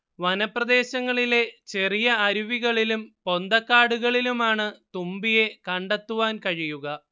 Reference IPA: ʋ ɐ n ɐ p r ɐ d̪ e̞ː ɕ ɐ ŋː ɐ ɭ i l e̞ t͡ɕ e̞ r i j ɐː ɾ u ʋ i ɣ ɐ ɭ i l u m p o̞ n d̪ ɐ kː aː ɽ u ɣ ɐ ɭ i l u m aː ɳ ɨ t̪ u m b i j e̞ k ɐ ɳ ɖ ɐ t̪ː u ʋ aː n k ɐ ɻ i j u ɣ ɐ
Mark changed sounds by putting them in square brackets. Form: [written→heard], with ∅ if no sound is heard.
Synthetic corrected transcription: ʋ ɐ n ɐ p r ɐ d̪ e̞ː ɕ ɐ ŋː ɐ ɭ i l e̞ t͡ɕ e̞ r i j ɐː ɾ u ʋ i ɣ ɐ ɭ i l u m p o̞ n d̪ ɐ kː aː ɽ u ɣ ɐ ɭ i l u m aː ɳ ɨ t̪ u m b i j e̞ k ɐ ɳ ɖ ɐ t̪ː u ʋ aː n k ɐ ɻ i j u ɣ ɐ